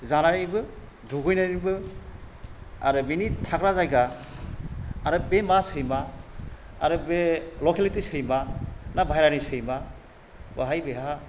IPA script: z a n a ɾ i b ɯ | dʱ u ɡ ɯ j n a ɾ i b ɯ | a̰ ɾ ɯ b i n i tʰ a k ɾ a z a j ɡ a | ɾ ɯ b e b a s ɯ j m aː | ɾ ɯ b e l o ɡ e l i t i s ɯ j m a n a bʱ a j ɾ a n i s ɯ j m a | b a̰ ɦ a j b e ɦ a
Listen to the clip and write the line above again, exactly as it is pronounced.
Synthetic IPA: z a n a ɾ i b ɯ | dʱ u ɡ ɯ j n a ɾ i b ɯ | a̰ ɾ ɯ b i n i tʰ a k ɾ a z a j ɡ a | ɾ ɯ b e m a s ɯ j m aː | ɾ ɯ b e l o k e l i t i s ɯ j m a n a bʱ a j ɾ a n i s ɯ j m a | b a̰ ɦ a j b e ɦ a